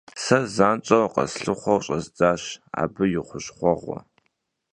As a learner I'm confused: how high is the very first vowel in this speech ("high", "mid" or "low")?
low